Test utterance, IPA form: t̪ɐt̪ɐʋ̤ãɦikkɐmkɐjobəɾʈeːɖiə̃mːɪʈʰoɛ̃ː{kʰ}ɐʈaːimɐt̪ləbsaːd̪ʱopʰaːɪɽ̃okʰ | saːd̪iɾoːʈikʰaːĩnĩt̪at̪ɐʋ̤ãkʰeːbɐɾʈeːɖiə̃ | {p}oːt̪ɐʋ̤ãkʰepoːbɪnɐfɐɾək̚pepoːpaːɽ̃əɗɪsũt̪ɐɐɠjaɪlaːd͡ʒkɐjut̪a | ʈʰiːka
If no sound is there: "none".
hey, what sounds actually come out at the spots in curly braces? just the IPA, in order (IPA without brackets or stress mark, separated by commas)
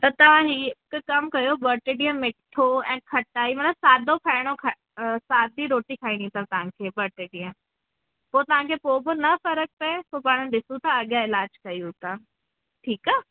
kʰ, p